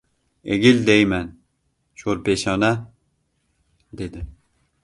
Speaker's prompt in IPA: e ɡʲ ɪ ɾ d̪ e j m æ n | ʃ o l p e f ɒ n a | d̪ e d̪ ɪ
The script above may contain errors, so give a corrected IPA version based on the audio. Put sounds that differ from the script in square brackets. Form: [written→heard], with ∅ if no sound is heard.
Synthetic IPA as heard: e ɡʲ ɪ [ɾ→l] d̪ e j m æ n | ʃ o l p e [f→ʃ] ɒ n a | d̪ e d̪ ɪ